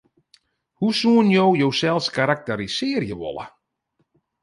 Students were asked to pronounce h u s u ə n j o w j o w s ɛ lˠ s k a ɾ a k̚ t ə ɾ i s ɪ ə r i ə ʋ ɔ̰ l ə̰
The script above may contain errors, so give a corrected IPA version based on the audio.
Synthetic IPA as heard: h u s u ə n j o w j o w s ɛ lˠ s k a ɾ a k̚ t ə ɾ i s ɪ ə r j ə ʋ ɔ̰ l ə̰